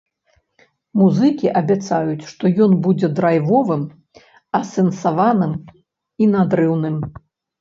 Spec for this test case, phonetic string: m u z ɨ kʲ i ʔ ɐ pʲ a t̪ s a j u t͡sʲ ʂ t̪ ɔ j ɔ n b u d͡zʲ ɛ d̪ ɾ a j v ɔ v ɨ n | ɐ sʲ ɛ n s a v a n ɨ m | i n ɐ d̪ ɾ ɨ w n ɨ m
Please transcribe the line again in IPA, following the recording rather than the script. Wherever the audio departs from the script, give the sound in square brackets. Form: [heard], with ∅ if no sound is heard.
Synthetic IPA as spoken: m u z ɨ kʲ i ʔ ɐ [bʲ] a t̪ s a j u t͡sʲ ʂ t̪ ɔ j ɔ n b u d͡zʲ ɛ d̪ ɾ a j v ɔ v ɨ [m] | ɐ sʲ ɛ n s a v a n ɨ m | i n [a] d̪ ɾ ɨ w n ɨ m